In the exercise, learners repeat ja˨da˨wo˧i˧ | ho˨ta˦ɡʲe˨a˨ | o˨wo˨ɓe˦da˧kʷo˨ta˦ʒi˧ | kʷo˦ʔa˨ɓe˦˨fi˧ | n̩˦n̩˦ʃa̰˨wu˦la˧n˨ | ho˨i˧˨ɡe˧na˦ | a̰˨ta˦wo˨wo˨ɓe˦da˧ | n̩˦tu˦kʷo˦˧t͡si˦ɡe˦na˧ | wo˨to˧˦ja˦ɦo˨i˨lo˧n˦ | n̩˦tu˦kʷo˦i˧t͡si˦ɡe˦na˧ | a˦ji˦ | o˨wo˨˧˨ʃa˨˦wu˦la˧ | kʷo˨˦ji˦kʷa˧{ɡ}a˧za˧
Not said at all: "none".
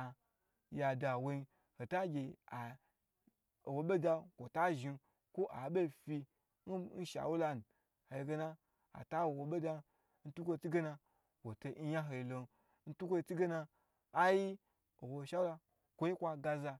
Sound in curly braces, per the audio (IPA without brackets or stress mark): ɡ